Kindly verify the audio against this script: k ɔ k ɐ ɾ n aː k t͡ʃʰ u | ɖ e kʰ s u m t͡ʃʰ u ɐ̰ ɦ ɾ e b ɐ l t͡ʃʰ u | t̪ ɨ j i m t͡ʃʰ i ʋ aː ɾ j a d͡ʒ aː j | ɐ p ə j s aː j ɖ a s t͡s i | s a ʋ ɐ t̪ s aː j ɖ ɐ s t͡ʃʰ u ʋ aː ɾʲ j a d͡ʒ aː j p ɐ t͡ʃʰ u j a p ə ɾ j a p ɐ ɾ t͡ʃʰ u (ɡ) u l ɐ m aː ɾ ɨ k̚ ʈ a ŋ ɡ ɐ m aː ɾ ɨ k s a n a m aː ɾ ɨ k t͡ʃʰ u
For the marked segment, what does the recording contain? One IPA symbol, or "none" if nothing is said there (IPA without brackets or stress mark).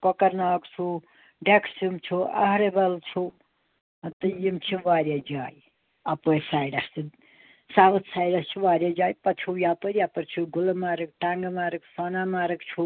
ɡ